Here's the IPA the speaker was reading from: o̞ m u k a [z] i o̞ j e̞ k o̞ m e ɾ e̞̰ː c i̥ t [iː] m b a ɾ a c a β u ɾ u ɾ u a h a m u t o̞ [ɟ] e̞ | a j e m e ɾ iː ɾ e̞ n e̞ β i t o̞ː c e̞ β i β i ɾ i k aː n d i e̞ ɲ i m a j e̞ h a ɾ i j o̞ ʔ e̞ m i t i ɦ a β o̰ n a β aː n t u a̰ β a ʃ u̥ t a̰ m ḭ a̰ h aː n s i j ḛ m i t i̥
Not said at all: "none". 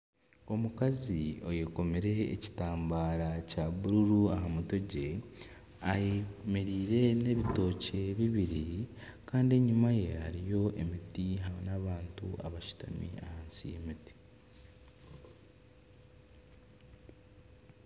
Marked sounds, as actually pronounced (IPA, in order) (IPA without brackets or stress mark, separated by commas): z, aː, ɟ